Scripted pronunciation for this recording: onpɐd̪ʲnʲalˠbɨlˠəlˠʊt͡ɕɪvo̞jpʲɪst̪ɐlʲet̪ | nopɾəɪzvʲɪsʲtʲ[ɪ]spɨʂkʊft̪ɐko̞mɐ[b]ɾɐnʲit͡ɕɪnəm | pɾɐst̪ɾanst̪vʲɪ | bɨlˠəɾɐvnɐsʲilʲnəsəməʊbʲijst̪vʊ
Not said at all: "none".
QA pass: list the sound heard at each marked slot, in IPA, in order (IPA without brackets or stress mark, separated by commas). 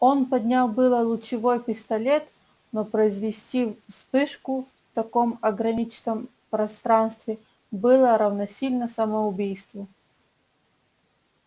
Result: i, ɡ